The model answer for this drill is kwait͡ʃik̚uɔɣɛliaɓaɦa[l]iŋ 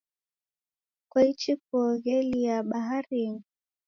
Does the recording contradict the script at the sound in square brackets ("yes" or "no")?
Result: yes